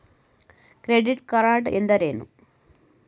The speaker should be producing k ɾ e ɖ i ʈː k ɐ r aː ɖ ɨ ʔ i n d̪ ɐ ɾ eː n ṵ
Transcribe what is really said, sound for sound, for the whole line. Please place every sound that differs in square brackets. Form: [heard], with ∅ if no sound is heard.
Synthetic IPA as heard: k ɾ e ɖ i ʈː k ɐ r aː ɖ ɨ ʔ [e] n d̪ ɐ ɾ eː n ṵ